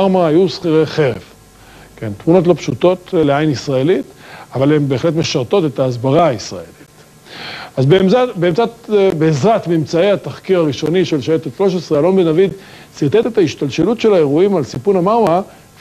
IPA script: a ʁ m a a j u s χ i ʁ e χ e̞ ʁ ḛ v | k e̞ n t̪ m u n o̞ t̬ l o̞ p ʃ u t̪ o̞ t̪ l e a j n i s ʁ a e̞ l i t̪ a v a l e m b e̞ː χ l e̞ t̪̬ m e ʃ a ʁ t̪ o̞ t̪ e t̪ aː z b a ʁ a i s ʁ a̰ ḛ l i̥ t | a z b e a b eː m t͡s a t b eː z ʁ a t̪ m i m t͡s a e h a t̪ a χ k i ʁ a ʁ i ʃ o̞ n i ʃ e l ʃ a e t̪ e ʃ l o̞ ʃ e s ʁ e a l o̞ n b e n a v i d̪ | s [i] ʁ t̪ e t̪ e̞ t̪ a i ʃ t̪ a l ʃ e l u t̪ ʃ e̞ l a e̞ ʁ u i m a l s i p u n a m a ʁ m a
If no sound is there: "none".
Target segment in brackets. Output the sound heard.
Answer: i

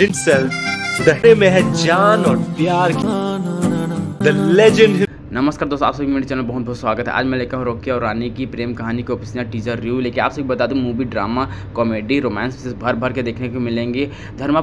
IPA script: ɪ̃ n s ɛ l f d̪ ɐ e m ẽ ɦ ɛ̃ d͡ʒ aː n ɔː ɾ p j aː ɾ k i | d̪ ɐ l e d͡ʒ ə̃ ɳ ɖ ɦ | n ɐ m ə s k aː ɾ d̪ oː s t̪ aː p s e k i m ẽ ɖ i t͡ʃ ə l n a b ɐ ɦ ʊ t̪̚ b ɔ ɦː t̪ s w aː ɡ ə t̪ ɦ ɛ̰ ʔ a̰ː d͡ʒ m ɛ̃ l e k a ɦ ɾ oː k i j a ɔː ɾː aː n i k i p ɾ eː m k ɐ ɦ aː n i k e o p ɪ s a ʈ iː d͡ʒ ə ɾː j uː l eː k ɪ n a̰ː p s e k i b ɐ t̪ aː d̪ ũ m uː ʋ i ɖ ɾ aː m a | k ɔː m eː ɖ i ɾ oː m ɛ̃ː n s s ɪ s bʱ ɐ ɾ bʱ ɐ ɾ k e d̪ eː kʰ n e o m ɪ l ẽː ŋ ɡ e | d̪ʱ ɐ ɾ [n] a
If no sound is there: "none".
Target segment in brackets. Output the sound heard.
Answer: m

